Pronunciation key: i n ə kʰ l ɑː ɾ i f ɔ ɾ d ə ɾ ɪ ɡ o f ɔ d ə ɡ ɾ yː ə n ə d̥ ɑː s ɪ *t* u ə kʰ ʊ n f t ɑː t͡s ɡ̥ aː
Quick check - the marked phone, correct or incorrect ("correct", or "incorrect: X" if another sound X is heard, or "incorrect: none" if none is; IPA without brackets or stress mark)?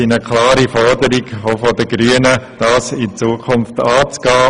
incorrect: t͡s